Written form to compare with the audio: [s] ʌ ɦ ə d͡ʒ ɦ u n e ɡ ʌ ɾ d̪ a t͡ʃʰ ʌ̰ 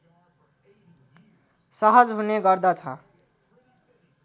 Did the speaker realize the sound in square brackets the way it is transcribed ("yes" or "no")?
yes